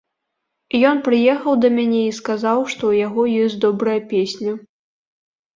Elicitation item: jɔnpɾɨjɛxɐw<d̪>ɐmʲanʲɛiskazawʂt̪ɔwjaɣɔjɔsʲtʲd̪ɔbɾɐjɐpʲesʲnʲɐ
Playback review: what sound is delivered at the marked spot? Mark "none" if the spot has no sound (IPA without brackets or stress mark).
d̪